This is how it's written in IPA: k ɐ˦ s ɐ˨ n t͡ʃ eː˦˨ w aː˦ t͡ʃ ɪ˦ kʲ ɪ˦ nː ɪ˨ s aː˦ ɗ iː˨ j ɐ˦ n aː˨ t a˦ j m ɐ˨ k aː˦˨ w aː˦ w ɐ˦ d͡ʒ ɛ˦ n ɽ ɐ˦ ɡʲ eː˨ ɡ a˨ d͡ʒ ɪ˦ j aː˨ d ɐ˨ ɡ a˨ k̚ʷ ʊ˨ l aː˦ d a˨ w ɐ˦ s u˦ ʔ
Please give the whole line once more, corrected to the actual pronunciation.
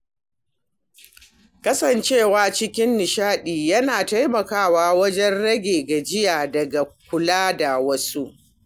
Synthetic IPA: k ɐ˦ s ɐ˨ n t͡ʃ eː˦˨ w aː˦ t͡ʃ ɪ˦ kʲ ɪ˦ nː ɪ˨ ʃ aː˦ ɗ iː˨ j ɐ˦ n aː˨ t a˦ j m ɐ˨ k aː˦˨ w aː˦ w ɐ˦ d͡ʒ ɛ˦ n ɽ ɐ˦ ɡʲ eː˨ ɡ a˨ d͡ʒ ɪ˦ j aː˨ d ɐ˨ ɡ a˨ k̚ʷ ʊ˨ l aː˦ d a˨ w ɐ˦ s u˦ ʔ